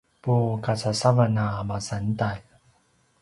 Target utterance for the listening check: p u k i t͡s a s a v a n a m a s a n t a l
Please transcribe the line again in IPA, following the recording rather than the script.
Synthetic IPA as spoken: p u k a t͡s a s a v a n a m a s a n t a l